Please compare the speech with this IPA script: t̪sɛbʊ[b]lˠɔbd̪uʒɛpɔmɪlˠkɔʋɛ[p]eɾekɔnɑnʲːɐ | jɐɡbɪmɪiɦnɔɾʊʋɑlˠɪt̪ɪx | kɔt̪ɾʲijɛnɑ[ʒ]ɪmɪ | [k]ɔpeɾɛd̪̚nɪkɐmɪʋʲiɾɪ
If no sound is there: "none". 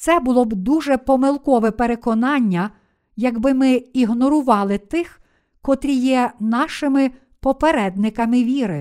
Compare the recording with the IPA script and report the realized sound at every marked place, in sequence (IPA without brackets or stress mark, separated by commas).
none, p, ʃ, p